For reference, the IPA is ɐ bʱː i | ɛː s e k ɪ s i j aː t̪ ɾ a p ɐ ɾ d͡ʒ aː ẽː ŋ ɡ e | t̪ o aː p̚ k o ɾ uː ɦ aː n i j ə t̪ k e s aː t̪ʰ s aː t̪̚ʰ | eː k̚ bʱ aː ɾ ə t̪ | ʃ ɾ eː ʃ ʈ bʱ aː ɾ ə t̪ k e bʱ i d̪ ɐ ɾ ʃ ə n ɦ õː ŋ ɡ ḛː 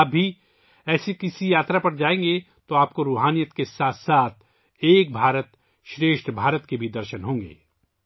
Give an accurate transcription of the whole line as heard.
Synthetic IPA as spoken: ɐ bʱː i | ɛː s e k ɪ s i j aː t̪ ɾ a p ɐ ɾ d͡ʒ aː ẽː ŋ ɡ e | t̪ o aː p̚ k o ɾ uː ɦ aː n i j ə t̪ k e s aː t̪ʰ s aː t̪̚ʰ | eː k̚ bʱ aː ɾ ə t̪ | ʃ ɾ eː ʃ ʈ bʱ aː ɾ ə t̪ k e bʱ i d̪ ɐ ɾ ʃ ə n ɦ õː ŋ ɡ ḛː